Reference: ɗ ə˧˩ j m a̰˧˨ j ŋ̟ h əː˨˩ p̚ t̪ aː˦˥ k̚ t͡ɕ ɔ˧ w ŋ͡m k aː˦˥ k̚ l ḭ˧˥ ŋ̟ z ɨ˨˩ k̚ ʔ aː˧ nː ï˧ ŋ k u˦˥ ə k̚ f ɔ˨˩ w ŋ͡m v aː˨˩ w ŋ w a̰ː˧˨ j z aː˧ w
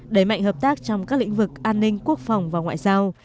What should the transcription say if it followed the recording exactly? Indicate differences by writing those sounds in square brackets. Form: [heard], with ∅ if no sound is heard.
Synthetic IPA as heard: ɗ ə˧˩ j m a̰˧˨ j ŋ̟ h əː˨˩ p̚ t̪ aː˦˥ k̚ t͡ɕ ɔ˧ w ŋ͡m k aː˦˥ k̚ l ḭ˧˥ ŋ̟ [v] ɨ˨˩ k̚ ʔ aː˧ nː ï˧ ŋ k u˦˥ ə k̚ f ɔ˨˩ w ŋ͡m v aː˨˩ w ŋ w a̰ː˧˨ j z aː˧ w